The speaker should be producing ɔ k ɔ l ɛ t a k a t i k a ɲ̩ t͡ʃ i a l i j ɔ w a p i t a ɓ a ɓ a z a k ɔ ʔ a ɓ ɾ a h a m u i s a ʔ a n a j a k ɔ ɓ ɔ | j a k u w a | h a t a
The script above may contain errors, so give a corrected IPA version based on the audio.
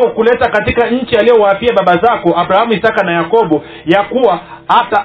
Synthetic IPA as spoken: ɔ k u l ɛ t a k a t i k a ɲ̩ t͡ʃ i a l i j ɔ w a p i a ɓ a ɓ a z a k ɔ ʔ a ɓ ɾ a h a m u i s a k a n a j a k ɔ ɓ ɔ | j a k u w a | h a t a